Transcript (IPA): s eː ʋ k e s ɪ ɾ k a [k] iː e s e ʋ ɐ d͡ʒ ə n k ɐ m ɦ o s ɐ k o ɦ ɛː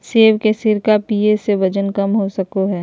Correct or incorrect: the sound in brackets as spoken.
incorrect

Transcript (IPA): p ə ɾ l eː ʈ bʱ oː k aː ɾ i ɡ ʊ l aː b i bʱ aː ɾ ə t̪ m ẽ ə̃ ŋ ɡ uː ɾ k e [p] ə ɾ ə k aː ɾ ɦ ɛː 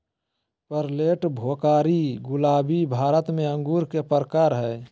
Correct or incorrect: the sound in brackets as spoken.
correct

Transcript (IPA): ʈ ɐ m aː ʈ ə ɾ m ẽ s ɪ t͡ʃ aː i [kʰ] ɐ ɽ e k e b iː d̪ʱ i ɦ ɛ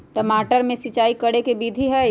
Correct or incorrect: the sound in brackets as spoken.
incorrect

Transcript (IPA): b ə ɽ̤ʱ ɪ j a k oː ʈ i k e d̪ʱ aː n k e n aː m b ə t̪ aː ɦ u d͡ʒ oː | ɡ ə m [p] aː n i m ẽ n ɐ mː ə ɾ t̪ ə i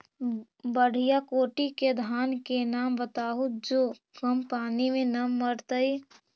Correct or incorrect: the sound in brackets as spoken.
correct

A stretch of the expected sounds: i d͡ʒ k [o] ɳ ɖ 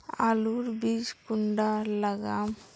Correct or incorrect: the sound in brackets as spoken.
incorrect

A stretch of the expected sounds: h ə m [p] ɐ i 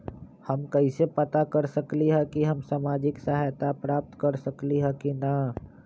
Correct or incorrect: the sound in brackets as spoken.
incorrect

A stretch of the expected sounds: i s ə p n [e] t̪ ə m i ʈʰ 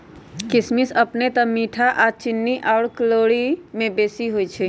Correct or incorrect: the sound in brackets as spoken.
correct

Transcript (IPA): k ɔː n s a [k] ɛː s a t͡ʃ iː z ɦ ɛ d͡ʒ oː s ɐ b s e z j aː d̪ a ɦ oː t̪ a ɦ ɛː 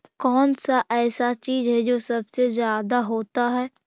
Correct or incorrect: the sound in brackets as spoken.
incorrect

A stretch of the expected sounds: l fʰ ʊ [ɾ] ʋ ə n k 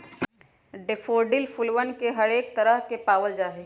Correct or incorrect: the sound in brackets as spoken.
incorrect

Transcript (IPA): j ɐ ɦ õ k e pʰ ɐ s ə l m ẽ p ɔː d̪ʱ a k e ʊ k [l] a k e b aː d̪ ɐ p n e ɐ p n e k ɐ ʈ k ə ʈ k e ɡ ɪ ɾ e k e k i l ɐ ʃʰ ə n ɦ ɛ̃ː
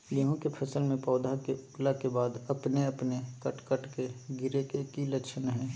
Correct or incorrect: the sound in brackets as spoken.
correct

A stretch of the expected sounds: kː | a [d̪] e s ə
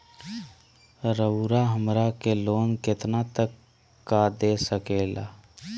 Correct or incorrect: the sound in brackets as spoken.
correct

